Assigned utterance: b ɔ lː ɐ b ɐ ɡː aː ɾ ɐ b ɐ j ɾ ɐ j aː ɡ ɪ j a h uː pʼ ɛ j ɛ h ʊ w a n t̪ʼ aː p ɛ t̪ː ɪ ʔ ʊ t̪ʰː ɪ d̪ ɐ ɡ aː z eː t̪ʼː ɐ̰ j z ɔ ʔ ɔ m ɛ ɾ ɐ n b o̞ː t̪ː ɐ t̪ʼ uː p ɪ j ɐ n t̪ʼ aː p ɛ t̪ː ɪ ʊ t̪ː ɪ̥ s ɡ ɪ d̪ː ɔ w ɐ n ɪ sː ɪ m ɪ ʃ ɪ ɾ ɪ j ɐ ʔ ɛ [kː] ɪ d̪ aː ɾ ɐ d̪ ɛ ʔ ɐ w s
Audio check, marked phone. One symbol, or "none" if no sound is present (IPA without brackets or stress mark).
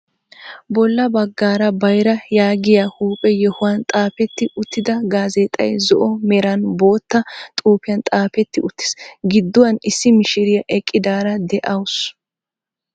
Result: kʼː